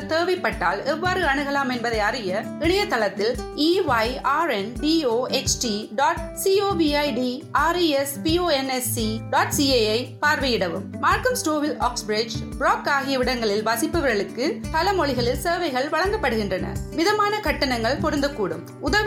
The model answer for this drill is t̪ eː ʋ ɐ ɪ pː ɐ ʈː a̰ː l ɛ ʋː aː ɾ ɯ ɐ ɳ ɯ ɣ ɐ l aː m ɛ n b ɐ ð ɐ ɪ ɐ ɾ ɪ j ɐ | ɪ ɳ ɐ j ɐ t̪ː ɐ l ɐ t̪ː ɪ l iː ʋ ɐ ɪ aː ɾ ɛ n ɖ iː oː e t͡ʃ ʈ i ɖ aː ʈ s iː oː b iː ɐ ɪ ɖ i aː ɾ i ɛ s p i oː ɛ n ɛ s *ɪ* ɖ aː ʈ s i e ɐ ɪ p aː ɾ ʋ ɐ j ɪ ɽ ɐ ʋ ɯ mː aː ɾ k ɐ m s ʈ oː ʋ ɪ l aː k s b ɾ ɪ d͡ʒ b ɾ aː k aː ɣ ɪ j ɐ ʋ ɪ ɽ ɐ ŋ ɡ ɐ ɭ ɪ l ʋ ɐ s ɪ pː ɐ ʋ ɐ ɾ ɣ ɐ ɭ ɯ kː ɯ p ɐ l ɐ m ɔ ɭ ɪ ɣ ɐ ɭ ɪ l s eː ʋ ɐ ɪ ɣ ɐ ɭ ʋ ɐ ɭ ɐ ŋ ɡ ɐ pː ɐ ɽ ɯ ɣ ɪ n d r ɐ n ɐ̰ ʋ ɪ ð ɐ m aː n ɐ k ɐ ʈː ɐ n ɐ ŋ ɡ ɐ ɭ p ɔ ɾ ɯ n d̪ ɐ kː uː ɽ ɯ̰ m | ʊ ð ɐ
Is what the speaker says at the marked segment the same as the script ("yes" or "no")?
no